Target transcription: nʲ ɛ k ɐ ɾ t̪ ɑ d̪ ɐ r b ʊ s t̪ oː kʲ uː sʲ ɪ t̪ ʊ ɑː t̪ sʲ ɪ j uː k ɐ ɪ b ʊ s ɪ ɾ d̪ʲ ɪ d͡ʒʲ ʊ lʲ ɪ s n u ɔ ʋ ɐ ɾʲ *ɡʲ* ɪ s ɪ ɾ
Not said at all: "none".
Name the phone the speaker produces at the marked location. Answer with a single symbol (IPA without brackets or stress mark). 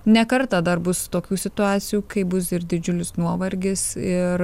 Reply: ɡʲ